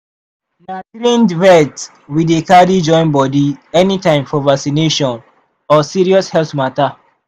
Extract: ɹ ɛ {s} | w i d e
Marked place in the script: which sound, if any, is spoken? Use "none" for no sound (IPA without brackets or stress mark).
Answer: t